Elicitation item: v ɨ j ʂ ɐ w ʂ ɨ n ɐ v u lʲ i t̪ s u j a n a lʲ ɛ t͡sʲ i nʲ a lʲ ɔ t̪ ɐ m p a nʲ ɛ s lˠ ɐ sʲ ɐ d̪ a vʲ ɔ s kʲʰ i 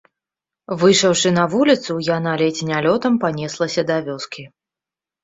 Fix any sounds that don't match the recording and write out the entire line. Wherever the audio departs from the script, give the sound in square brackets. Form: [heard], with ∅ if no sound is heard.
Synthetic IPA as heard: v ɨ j ʂ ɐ w ʂ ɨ n ɐ v u lʲ i t̪ s u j a n a lʲ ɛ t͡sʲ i nʲ a lʲ ɔ t̪ ɐ m p a nʲ ɛ s lˠ ɐ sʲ ɐ d̪ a vʲ ɔ s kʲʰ i